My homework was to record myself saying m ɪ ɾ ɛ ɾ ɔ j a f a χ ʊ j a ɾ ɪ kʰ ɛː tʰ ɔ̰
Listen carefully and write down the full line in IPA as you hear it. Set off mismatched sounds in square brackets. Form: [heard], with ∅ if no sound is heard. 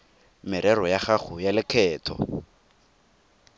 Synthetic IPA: m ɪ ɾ ɛ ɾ ɔ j a [χ] a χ ʊ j a [l] ɪ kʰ ɛː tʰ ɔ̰

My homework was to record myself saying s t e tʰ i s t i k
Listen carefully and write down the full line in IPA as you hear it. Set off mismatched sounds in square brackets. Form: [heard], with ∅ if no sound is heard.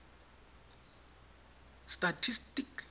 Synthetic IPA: s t [a] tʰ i s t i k

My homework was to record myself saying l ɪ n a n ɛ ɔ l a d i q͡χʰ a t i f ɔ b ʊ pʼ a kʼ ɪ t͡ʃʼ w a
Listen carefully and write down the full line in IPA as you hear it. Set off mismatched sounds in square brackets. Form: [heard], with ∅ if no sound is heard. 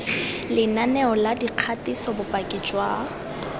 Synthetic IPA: l ɪ n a n ɛ ɔ l a d i q͡χʰ a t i [s] ɔ b ʊ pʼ a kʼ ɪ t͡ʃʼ w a

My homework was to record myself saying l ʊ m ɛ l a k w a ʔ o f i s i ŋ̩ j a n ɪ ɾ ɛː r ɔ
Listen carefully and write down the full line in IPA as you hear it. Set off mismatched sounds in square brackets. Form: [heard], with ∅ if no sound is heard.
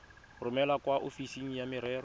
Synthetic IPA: [r] ʊ m ɛ l a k w a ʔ o f i s i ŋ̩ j a [m] ɪ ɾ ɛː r ɔ

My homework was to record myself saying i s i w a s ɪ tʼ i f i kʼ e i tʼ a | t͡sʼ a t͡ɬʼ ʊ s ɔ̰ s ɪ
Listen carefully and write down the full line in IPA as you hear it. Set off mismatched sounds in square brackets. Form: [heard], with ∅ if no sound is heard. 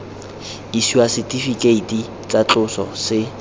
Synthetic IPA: i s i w a s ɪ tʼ i f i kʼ e i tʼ [i] | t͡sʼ a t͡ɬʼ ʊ s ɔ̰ s ɪ

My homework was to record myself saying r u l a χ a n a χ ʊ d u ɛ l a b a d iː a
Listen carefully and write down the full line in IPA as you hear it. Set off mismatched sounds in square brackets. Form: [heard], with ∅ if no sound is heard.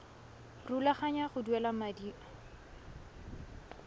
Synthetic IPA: r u l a χ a [ɲ] a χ ʊ d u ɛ l a [m] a d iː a

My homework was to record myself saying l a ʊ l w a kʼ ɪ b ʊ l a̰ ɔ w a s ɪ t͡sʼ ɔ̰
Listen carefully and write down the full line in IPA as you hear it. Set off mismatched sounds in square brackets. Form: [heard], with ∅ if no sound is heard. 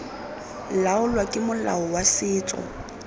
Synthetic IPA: l a ʊ l w a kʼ ɪ [m] ʊ l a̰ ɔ w a s [ɪː] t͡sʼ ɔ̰

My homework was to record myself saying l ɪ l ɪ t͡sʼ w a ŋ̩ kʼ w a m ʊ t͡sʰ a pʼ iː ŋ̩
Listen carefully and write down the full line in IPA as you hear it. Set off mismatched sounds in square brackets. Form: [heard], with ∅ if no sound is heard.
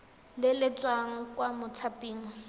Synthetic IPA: l ɪ l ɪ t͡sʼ w a ŋ̩ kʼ w a m ʊ t͡sʰ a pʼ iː ŋ̩

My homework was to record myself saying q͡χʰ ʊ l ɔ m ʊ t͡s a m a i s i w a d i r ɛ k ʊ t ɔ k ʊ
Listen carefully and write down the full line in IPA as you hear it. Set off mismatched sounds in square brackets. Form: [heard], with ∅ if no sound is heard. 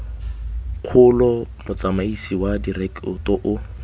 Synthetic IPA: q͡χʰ ʊ l ɔ m ʊ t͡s a m a i s i w a d i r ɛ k ʊ t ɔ [ʔ] ʊ

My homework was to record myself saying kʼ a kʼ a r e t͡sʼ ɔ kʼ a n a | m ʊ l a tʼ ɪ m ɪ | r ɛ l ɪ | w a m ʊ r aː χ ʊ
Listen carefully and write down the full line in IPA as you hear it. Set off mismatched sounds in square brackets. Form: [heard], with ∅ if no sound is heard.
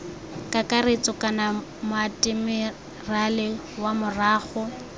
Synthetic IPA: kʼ a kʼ a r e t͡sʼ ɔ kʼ a n a | m ʊ [∅] a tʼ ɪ m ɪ | r [a] l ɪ | w a m ʊ r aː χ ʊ

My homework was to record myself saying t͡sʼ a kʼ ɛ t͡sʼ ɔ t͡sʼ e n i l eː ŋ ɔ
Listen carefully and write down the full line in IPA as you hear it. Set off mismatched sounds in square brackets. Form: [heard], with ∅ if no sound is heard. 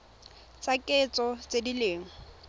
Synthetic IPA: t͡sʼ a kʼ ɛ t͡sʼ ɔ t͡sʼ e [d] i l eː ŋ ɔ

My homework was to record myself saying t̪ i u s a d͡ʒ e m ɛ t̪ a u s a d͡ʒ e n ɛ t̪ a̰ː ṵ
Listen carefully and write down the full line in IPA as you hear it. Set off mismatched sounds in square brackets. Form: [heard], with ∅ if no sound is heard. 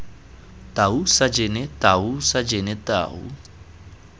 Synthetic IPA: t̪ [a] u s a d͡ʒ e [n] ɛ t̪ a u s a d͡ʒ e n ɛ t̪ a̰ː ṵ

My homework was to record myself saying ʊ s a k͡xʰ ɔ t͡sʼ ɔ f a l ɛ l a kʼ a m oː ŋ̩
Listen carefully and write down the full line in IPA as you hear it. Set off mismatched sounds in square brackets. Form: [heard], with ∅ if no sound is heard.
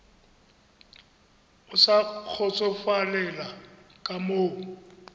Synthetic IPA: ʊ s a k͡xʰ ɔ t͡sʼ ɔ f a l ɛ l a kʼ a m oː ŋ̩

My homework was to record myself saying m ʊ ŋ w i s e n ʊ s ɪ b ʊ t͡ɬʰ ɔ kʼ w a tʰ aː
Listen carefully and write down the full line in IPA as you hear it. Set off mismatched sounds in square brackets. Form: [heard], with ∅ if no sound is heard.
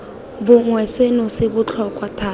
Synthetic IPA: [b] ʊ ŋ w [ɛ] s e n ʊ s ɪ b ʊ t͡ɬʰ ɔ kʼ w a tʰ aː

